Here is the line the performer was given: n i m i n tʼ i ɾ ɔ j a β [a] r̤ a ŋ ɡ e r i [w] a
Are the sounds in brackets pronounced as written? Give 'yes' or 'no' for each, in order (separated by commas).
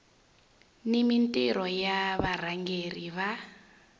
yes, no